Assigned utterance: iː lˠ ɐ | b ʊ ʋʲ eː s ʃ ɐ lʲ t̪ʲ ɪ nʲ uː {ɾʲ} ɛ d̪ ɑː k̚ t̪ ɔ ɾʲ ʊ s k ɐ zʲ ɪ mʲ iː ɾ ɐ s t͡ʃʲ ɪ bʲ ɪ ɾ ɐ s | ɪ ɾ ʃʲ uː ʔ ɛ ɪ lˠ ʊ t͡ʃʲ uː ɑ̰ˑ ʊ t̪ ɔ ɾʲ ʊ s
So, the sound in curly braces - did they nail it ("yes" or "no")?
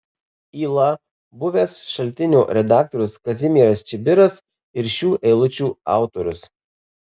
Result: yes